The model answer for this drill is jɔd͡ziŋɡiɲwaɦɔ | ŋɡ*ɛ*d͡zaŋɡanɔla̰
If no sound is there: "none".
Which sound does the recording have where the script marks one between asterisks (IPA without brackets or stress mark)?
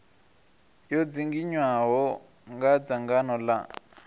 a